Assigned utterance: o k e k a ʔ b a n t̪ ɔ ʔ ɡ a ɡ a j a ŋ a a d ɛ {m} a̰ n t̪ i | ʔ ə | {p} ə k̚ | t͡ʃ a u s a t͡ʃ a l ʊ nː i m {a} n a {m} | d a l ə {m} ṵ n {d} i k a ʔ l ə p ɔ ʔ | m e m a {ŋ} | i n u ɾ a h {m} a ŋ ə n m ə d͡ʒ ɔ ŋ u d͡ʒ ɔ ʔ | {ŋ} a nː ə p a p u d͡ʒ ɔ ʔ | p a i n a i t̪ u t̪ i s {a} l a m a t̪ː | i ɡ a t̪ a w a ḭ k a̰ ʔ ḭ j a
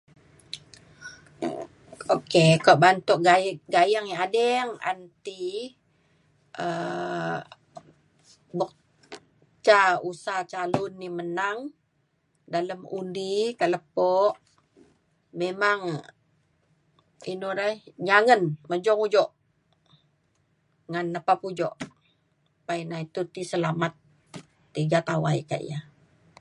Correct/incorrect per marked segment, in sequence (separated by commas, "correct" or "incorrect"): incorrect, incorrect, incorrect, incorrect, correct, correct, correct, incorrect, correct, incorrect